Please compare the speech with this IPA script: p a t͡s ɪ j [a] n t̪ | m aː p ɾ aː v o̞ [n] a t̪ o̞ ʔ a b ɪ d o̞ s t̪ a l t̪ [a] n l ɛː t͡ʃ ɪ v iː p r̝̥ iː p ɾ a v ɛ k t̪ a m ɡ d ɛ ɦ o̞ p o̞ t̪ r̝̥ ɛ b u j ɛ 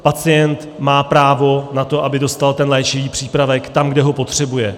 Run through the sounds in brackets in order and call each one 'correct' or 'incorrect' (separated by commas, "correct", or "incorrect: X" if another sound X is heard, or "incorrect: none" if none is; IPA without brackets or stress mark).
incorrect: ɛ, correct, incorrect: ɛ